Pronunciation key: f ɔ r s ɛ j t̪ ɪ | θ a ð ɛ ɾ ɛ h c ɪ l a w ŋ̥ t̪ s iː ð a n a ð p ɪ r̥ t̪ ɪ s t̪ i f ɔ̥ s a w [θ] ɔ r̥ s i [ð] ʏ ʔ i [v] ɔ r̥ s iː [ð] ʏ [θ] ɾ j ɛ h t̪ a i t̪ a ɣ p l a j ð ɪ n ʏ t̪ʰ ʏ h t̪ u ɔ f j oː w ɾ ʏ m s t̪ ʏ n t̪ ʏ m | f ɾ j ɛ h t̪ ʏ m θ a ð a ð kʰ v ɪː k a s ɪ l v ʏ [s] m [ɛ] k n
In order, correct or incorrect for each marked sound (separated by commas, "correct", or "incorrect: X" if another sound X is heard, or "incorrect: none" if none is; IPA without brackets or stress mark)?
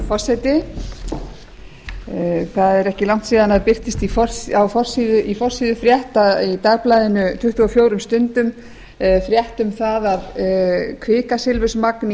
incorrect: f, correct, incorrect: f, correct, incorrect: f, correct, incorrect: a